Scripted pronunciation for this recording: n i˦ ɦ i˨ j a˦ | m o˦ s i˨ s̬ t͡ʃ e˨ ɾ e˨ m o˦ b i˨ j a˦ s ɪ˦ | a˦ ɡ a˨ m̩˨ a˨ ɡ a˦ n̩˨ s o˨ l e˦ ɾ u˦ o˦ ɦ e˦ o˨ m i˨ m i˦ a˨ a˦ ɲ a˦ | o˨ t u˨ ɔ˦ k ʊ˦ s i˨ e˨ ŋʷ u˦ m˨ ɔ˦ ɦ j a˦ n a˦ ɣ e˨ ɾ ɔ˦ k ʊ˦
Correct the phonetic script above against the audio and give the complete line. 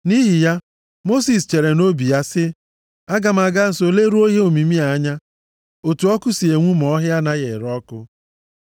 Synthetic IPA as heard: n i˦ ɦ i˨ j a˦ | m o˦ s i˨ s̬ t͡ʃ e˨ ɾ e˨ n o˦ b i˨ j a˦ s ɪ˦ | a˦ ɡ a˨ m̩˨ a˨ ɡ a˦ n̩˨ s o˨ l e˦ ɾ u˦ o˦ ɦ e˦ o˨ m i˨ m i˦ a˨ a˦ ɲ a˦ | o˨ t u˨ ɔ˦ k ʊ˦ s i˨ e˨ ŋʷ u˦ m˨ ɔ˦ ɦ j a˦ n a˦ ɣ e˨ ɾ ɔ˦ k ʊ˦